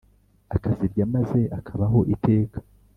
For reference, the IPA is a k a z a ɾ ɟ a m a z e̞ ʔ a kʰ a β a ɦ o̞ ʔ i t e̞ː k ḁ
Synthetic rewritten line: a k a z i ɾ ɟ a m a z e̞ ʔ a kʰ a β a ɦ o̞ ʔ i t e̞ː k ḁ